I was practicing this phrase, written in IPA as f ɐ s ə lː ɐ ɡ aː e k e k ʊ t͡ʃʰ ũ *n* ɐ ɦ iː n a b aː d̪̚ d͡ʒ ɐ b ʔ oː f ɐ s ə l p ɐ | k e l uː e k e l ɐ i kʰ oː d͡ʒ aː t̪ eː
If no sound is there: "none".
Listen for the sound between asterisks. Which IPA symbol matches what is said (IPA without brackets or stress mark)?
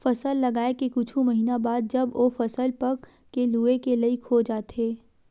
m